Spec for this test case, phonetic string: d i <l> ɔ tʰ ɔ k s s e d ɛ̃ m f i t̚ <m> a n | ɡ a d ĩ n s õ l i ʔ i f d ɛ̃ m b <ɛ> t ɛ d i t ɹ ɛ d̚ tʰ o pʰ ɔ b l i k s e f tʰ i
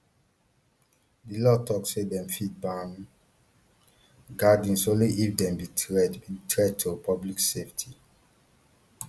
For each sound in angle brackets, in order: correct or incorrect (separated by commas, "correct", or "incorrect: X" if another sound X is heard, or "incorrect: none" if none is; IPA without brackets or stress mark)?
correct, incorrect: b, incorrect: i